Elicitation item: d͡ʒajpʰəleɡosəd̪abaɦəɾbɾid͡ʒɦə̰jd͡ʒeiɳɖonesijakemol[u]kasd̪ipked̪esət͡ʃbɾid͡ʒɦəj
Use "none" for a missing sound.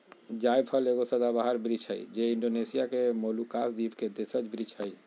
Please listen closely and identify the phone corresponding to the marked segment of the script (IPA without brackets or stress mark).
u